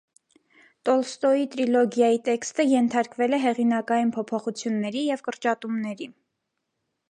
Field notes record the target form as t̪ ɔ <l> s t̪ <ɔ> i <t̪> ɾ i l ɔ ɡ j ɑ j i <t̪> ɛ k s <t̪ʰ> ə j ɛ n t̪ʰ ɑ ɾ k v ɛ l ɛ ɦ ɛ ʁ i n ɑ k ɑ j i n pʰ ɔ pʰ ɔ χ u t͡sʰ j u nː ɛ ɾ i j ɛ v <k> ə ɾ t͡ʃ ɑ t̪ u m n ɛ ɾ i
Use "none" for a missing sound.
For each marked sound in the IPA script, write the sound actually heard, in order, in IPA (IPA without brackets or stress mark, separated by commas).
l, ɔ, t̪, t̪, t̪, k